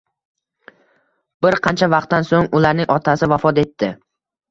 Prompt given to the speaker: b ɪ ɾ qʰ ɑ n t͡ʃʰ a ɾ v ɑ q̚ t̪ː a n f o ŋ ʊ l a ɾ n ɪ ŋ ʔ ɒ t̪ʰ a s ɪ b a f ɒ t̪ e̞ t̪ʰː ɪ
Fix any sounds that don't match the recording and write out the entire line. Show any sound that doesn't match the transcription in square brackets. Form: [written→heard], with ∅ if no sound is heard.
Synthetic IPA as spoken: b ɪ ɾ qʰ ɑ n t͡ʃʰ a [ɾ→∅] v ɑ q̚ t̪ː a n [f→s] o ŋ ʊ l a ɾ n ɪ ŋ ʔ ɒ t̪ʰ a s ɪ [b→v] a f ɒ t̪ e̞ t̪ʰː ɪ